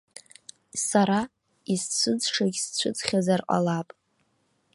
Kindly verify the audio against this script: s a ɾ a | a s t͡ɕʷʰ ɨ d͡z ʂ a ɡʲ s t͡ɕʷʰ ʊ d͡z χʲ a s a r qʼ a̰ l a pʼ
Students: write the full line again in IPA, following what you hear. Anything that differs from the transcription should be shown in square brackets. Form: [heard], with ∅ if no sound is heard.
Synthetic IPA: s a ɾ a | [i] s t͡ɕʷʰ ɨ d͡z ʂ a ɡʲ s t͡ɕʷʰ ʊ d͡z χʲ a [z] a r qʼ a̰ l a pʼ